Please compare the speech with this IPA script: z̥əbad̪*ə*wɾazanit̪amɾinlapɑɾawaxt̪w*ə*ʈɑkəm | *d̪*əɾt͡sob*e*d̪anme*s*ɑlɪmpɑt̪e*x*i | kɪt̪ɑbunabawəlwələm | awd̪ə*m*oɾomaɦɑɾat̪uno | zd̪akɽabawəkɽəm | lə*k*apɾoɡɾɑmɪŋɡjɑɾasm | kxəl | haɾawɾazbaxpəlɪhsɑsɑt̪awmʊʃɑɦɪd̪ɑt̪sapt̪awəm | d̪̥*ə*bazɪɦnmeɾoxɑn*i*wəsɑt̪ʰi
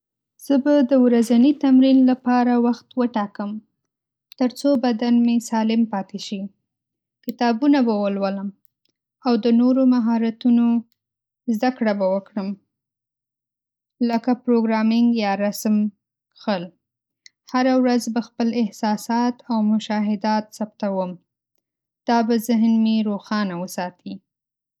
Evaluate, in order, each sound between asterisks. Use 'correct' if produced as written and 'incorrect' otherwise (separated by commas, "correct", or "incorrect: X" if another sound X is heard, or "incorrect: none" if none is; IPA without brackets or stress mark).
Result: correct, correct, incorrect: t̪, incorrect: a, correct, incorrect: ʃ, incorrect: n, correct, incorrect: ɑ, incorrect: a